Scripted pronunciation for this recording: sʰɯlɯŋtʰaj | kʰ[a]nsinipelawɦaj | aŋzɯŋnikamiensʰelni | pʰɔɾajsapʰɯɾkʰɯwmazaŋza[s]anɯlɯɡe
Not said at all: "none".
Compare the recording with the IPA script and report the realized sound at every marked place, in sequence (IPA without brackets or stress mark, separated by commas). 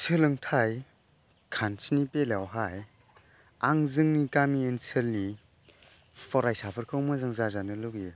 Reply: a, z